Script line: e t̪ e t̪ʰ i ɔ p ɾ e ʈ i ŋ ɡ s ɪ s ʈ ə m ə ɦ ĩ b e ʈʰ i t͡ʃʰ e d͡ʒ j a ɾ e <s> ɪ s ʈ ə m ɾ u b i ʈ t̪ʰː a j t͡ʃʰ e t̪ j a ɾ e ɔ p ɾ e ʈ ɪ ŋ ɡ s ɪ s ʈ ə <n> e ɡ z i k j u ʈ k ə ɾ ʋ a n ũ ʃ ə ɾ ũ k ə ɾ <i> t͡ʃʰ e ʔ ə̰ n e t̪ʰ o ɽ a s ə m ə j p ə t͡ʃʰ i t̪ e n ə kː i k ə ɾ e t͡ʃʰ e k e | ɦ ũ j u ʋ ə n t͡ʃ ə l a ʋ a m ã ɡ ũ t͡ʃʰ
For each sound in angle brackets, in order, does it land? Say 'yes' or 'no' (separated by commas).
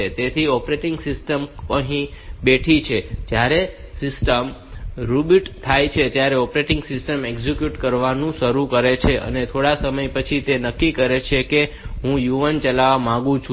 yes, no, no